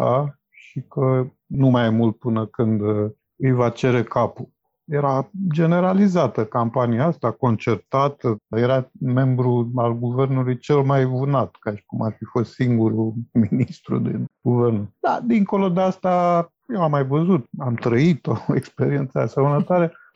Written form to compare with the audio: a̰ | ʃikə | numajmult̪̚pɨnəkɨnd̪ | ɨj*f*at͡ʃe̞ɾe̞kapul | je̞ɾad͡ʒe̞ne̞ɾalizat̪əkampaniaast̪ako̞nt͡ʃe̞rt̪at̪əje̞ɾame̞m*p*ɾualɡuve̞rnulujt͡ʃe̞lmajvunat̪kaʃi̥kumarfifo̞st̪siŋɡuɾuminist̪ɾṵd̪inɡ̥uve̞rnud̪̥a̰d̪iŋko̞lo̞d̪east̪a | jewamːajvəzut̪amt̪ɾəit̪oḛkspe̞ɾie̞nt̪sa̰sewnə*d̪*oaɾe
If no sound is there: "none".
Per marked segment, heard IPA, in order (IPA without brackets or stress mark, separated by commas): v, b, t̪